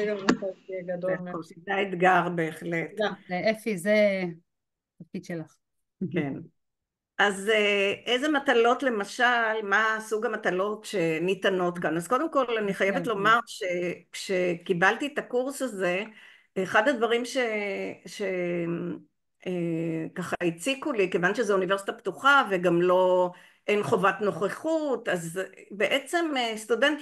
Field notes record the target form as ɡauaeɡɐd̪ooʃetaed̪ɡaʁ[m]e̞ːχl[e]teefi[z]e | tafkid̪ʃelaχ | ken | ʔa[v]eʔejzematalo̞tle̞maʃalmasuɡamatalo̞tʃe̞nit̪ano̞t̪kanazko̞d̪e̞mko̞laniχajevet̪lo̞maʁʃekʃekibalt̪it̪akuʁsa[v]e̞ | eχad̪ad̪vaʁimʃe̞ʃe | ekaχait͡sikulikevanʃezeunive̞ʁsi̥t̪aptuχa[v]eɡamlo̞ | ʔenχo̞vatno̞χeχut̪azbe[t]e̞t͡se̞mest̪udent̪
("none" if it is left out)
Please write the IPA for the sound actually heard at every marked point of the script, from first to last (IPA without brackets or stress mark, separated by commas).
b, e, z, z, z, v, ʔ